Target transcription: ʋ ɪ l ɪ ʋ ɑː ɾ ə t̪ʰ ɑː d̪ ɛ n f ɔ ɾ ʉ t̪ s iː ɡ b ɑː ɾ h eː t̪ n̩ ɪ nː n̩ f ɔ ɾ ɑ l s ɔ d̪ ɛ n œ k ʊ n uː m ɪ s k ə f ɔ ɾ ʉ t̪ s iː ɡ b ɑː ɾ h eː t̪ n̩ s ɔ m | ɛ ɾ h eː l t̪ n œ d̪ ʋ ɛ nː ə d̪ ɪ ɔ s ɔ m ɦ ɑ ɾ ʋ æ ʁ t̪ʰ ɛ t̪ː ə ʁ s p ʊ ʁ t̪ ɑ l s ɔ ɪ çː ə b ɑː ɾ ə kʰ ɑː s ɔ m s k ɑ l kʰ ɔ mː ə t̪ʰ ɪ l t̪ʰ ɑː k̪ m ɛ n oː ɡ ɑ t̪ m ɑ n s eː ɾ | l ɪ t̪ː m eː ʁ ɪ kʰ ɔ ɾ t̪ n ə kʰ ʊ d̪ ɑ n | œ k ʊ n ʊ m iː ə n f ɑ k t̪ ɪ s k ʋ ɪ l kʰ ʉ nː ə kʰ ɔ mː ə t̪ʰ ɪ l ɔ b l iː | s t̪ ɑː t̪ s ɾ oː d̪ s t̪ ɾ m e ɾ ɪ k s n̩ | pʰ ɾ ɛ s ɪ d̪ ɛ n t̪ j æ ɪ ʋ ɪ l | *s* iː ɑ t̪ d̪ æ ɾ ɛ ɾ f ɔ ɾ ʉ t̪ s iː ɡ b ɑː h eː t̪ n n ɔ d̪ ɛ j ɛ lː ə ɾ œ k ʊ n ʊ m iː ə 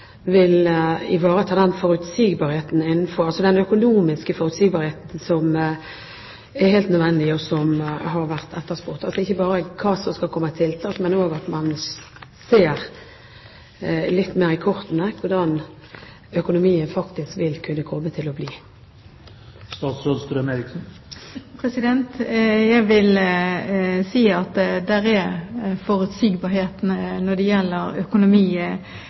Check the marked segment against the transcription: correct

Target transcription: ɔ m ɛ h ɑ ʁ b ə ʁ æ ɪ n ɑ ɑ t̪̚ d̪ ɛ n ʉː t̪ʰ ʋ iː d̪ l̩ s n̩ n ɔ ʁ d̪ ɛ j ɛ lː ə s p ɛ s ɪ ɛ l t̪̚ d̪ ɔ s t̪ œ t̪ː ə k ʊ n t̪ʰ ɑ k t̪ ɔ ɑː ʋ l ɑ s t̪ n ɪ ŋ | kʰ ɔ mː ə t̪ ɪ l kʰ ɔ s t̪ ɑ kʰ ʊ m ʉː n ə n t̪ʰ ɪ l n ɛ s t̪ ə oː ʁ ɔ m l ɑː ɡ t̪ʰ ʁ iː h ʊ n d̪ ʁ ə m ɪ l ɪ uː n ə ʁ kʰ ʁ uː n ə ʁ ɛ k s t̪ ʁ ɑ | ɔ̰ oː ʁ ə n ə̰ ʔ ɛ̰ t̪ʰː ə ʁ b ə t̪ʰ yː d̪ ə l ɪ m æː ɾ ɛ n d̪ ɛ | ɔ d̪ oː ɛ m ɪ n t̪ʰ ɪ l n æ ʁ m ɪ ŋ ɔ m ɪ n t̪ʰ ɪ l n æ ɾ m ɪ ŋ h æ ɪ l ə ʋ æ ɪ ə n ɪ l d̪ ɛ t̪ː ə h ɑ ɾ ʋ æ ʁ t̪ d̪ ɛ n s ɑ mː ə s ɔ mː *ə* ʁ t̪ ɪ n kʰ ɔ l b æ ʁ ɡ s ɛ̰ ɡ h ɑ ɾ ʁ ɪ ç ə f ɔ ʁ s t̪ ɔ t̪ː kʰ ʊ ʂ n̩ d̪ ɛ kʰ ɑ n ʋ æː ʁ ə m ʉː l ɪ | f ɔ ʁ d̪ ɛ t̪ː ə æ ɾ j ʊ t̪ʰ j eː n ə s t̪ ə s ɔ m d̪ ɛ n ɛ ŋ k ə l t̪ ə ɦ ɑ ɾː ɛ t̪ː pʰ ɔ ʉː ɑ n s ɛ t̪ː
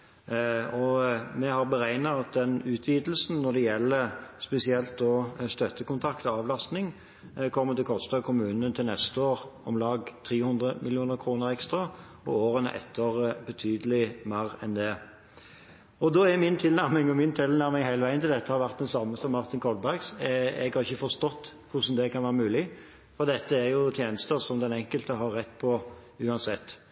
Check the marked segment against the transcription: incorrect: ɑ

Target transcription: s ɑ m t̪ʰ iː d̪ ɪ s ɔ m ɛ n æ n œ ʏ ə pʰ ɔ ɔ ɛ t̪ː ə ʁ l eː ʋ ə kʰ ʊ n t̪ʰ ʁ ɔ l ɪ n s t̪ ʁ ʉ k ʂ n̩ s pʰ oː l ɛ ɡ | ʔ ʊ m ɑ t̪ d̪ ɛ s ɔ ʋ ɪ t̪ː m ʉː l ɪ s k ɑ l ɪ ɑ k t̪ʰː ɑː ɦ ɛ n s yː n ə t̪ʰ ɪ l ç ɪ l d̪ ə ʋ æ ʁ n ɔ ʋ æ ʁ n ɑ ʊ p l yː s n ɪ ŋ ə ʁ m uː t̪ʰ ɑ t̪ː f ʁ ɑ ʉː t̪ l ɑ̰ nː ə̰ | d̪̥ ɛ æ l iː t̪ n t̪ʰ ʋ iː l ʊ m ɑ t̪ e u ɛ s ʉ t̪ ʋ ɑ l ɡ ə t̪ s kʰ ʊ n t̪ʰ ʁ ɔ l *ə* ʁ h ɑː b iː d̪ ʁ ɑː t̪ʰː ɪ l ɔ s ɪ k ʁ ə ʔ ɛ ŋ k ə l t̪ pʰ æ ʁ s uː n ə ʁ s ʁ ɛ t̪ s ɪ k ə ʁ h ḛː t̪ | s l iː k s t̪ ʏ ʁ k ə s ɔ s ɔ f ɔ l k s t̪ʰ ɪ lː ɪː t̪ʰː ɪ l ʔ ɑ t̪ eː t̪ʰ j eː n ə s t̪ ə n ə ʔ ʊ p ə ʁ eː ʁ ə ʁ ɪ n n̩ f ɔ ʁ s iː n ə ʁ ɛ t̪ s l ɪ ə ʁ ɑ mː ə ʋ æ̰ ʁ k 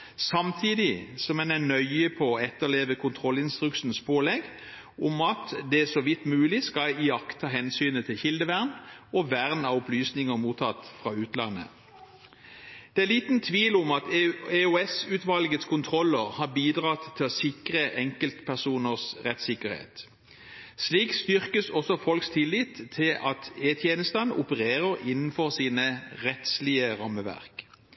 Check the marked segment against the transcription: correct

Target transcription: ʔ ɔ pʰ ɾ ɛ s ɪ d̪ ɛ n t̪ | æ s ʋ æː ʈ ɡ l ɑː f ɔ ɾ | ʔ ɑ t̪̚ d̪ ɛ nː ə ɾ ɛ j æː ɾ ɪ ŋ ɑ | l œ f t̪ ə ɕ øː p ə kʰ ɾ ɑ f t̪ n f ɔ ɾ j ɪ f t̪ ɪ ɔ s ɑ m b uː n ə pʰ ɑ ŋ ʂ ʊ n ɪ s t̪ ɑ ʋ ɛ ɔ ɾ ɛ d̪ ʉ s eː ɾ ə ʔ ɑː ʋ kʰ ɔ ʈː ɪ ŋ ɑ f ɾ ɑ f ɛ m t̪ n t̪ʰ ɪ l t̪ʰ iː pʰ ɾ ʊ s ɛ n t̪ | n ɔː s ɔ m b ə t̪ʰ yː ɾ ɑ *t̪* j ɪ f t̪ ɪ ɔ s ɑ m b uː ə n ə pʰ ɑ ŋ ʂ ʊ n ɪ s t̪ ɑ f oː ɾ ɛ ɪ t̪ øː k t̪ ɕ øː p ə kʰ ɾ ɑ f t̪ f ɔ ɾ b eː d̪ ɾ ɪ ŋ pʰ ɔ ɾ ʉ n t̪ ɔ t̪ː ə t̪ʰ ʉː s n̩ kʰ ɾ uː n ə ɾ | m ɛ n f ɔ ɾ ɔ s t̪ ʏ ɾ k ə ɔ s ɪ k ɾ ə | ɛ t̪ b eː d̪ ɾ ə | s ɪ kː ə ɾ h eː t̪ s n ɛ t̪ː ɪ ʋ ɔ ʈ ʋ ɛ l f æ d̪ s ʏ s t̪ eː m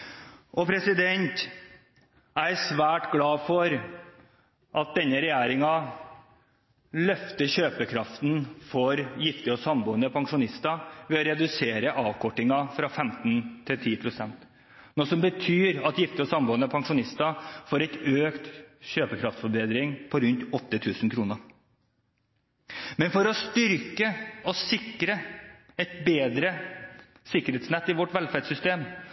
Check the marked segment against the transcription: correct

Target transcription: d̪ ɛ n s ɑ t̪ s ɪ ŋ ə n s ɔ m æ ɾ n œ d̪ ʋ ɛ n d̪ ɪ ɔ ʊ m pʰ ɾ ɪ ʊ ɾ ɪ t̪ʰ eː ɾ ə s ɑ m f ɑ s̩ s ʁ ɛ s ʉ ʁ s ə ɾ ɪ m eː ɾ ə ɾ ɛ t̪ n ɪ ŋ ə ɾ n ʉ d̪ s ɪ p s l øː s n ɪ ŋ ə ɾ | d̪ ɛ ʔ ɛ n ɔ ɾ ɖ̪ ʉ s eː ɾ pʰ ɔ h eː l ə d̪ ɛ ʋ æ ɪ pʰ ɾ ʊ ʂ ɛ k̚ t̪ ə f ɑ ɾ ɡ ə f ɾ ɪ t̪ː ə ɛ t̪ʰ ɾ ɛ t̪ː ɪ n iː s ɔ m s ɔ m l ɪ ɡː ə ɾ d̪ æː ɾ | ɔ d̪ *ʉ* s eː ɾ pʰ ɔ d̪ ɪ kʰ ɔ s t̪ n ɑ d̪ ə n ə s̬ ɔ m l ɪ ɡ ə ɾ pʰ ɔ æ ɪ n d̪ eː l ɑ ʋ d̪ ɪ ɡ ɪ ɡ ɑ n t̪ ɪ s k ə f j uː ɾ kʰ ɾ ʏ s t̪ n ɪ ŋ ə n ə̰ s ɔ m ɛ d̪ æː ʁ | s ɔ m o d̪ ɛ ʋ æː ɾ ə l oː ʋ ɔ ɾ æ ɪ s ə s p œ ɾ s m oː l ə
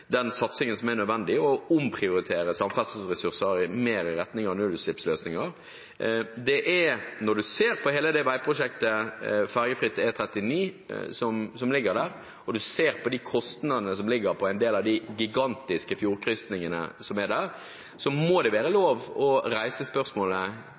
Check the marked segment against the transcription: correct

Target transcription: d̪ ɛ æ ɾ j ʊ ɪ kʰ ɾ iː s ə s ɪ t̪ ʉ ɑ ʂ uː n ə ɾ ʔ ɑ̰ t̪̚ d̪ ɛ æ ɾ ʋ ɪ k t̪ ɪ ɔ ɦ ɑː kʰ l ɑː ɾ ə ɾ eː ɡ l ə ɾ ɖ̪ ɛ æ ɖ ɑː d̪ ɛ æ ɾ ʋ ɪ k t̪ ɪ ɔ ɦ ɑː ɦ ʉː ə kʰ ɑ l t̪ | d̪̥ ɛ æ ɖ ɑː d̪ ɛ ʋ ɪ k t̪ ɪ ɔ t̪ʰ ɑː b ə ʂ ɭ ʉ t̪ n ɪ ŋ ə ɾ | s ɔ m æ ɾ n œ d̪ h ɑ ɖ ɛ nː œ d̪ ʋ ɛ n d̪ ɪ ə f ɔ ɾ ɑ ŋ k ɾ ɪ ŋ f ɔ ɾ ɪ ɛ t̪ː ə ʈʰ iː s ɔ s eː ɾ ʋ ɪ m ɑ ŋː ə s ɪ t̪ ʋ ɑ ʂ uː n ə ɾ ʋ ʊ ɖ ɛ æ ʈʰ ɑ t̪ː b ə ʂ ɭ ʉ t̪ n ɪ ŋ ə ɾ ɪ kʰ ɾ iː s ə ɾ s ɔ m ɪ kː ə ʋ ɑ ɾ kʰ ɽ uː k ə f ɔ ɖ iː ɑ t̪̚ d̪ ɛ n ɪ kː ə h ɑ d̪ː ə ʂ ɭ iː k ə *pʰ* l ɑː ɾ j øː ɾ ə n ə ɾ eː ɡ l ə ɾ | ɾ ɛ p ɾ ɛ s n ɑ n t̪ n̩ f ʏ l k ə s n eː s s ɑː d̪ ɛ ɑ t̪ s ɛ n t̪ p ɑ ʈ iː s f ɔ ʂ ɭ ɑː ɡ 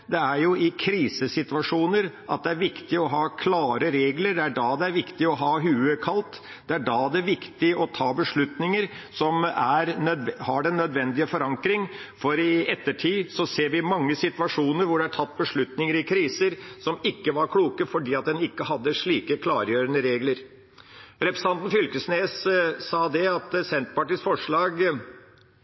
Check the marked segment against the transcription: incorrect: kʰ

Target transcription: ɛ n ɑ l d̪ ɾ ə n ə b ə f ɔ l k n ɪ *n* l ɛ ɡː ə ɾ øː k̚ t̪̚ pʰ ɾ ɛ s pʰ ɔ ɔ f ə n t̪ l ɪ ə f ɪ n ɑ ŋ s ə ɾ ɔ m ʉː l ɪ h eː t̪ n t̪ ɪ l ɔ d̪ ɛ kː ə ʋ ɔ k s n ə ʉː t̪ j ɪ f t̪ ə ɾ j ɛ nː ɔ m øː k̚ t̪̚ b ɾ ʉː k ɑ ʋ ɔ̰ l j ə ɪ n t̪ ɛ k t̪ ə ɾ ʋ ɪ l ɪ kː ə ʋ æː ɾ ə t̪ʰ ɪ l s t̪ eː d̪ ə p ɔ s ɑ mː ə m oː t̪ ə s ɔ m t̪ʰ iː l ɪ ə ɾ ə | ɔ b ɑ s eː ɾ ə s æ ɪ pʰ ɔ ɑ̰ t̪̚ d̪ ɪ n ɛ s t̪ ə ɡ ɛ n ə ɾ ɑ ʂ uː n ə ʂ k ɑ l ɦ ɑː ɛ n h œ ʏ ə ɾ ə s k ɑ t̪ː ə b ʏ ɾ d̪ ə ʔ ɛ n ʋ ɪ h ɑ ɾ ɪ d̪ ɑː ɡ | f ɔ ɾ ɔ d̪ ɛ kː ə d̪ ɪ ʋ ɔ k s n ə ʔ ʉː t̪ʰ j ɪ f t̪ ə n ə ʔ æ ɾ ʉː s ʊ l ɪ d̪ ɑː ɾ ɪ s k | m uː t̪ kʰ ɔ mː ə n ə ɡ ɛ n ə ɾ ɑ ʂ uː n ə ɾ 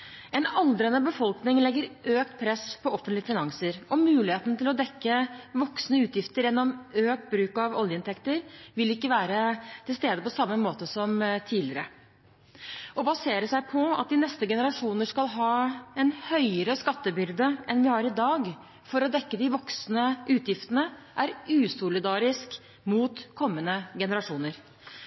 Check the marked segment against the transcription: incorrect: ŋ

